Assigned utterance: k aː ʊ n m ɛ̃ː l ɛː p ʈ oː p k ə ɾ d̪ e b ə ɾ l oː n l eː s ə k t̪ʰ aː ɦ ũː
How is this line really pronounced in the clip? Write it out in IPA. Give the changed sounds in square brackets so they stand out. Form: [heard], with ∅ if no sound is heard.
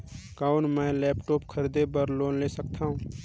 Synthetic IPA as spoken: k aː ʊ n m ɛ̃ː l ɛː p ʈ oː p [kʰ] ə ɾ d̪ e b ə ɾ l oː n l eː s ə k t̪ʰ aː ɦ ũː